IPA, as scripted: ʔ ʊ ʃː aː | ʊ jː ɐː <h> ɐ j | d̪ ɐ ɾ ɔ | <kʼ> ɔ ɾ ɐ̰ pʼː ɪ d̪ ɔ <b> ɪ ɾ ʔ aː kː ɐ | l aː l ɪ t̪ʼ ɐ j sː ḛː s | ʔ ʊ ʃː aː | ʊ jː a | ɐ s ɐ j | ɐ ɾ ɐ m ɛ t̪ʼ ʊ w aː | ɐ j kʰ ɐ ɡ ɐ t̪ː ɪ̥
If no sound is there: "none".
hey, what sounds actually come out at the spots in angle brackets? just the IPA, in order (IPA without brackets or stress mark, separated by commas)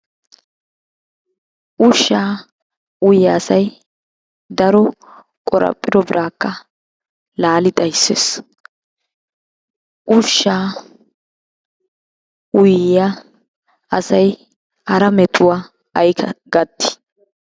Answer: s, kʼ, b